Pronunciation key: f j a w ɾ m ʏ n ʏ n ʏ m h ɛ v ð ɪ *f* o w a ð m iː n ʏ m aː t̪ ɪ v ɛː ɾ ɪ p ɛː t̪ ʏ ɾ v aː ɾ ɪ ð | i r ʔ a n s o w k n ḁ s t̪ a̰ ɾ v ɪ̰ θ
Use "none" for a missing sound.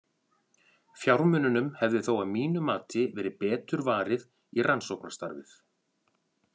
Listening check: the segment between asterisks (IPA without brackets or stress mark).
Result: θ